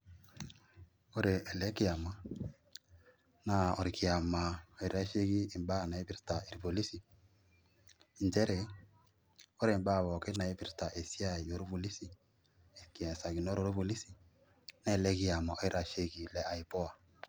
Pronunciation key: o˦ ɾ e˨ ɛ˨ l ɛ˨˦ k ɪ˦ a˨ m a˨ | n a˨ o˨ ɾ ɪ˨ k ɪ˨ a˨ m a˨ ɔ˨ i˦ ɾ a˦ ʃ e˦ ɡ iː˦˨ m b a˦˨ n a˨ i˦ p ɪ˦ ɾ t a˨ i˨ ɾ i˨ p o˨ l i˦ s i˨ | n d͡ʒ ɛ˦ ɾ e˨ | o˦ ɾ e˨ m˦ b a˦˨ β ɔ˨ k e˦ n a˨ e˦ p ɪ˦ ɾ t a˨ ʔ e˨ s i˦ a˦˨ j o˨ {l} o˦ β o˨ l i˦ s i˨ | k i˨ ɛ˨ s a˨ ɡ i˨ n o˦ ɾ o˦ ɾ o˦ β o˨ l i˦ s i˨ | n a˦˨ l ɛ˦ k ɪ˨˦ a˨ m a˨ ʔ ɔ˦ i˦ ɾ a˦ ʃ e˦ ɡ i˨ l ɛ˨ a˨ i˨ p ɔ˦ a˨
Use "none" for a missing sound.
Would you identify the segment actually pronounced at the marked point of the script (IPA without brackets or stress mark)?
ɾ